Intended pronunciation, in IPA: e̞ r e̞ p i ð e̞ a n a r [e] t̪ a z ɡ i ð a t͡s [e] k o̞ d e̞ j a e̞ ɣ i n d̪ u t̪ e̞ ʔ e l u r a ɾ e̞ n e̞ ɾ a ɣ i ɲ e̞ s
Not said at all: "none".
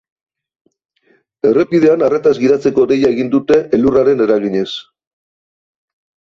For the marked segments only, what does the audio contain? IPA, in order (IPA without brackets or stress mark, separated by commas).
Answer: e, e